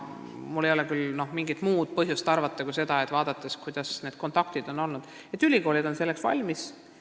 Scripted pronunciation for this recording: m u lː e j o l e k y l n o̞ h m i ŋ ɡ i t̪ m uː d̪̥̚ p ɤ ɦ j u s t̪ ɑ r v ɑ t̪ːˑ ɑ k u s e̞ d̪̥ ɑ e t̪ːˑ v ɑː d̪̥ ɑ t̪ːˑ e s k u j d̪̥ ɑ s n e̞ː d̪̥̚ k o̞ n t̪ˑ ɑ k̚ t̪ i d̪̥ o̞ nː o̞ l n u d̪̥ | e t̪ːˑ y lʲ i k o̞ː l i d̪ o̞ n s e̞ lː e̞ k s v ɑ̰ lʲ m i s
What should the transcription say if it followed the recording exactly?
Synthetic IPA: m u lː e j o l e k y l n o̞ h m i ŋ ɡ i t̪ m uː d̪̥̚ p ɤ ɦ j u s t̪ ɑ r v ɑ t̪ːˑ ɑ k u s e̞ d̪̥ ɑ e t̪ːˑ v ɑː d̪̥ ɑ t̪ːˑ e s k u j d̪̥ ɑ s n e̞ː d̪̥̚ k o̞ n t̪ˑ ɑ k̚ t̪ i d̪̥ o̞ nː o̞ l n u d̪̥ | e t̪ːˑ y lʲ i k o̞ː l i d̪ o̞ n s e̞ lː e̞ k s v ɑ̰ lʲ m i s